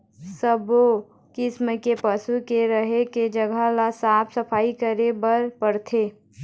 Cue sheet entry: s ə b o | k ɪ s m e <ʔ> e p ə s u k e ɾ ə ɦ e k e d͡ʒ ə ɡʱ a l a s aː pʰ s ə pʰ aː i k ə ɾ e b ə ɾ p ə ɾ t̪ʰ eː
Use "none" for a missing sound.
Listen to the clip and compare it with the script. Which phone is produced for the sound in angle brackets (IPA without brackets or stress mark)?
k